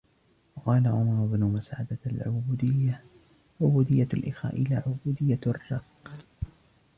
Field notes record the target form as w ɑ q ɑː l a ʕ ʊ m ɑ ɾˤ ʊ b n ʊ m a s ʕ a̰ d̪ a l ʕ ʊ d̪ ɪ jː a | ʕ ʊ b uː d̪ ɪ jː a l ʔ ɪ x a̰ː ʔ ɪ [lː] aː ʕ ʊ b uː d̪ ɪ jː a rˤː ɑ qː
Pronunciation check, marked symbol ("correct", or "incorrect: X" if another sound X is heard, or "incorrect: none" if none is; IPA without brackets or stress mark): incorrect: l